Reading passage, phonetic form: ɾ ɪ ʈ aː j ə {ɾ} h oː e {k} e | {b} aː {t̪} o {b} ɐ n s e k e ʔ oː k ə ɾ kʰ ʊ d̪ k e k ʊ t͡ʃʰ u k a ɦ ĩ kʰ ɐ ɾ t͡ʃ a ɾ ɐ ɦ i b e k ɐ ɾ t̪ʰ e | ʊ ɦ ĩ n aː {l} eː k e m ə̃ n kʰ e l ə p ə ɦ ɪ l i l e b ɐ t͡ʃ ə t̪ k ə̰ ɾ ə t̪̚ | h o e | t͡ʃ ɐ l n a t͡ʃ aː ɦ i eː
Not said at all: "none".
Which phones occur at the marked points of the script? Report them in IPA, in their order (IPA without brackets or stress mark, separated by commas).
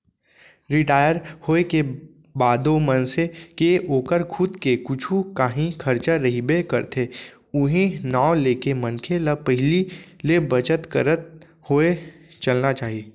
ɾ, k, b, d̪, m, l